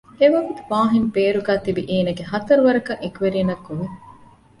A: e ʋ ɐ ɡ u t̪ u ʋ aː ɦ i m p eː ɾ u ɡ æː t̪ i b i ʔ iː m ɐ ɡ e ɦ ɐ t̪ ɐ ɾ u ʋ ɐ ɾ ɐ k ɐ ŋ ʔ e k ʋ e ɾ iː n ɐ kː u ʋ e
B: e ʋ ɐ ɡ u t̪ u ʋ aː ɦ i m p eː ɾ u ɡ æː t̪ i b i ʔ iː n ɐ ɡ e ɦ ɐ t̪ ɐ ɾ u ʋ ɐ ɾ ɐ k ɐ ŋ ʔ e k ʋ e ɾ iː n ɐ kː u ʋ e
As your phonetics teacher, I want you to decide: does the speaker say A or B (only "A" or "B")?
B